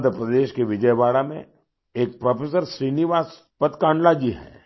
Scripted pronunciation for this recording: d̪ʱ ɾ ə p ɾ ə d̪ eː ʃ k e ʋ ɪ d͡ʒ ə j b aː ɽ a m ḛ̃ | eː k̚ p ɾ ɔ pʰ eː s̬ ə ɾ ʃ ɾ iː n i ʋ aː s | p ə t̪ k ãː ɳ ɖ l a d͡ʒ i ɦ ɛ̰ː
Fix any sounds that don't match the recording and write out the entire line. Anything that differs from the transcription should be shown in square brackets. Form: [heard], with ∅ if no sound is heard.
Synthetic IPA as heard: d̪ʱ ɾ ə p ɾ ə d̪ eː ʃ k e ʋ ɪ d͡ʒ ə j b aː ɽ a m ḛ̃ | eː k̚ p ɾ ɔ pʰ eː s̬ ə ɾ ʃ ɾ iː n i ʋ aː s | p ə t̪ k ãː ɳ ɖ l a d͡ʒ i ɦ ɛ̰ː